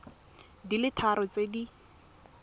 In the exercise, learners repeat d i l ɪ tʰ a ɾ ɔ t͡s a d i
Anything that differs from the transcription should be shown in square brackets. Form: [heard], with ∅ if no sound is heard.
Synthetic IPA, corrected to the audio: d i l ɪ tʰ a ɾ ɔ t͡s [e] d i